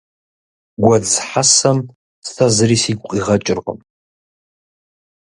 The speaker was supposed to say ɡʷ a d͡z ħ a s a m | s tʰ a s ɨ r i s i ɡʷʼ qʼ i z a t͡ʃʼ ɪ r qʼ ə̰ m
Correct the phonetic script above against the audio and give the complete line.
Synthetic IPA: ɡʷ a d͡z ħ a s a m | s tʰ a z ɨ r i s i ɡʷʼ qʼ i ʁ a t͡ʃʼ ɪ r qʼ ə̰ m